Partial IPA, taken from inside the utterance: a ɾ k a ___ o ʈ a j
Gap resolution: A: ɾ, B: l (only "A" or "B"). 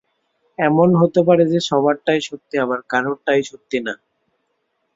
A